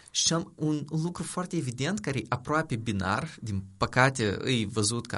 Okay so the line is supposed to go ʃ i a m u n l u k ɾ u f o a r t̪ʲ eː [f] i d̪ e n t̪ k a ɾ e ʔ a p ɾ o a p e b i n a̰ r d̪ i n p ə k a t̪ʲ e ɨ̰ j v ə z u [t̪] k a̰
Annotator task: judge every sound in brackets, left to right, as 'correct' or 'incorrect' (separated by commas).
incorrect, correct